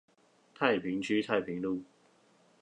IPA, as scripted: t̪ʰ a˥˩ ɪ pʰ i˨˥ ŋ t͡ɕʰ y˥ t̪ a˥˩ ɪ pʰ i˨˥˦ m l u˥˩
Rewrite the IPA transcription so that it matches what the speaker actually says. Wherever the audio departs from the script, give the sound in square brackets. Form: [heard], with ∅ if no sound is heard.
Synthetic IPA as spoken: t̪ʰ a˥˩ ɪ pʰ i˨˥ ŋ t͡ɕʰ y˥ [t̪ʰ] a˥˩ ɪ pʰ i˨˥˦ [ŋ] l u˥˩